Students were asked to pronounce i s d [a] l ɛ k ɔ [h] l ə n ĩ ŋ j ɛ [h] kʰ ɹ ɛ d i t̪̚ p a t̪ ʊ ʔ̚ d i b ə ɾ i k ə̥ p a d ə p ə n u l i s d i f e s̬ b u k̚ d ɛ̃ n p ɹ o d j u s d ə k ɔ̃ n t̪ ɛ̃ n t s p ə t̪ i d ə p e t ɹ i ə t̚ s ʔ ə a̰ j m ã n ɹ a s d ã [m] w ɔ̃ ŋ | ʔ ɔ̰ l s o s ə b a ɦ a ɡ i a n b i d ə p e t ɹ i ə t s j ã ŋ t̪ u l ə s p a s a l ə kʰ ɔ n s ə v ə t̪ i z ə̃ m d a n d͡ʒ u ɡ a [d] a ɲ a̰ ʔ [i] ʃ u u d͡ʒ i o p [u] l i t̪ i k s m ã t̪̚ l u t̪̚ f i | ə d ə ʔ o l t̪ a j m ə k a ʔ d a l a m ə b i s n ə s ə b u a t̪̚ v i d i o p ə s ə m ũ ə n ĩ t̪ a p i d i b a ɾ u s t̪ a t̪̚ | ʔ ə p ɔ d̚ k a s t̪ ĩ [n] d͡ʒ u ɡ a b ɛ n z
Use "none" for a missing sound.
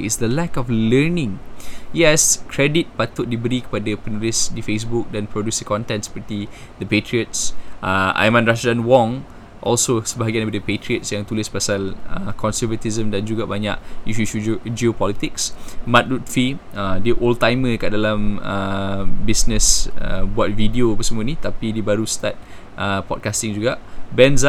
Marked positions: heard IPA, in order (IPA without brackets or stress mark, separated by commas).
ə, f, s, n, b, i, ɔ, ŋ